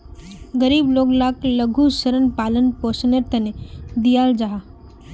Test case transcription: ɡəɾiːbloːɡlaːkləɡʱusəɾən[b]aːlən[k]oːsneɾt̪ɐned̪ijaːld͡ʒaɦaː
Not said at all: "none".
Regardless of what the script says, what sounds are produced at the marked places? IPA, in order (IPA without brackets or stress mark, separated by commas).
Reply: p, p